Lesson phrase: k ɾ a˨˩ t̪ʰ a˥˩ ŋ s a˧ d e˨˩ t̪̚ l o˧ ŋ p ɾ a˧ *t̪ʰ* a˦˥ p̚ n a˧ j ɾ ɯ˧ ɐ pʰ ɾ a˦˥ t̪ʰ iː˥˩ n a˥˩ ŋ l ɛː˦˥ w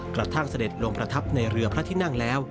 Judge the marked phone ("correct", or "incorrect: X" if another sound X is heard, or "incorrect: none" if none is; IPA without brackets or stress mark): correct